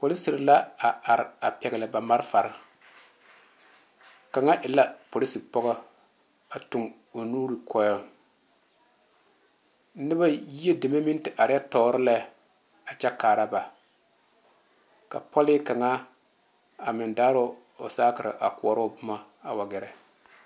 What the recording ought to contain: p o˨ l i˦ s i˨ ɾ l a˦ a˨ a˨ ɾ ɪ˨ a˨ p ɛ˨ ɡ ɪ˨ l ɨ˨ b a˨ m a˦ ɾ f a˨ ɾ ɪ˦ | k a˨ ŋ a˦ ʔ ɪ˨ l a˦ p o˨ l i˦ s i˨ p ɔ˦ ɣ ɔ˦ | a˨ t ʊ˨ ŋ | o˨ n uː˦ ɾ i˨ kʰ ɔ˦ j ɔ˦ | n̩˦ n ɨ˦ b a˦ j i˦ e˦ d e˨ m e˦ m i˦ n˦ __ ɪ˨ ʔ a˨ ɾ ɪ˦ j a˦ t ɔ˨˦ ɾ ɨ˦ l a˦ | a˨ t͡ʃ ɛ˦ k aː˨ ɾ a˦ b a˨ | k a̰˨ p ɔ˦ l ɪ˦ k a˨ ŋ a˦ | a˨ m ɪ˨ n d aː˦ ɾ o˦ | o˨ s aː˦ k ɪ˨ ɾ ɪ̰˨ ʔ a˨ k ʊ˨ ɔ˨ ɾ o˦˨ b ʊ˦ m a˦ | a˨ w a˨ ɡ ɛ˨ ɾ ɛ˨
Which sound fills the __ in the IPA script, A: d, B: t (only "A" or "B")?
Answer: B